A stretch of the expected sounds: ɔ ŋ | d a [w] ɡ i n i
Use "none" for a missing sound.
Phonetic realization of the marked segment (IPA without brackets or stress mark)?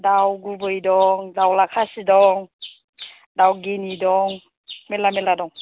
w